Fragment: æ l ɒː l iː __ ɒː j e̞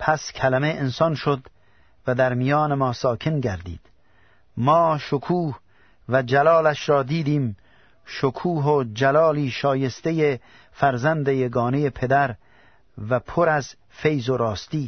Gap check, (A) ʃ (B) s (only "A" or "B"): A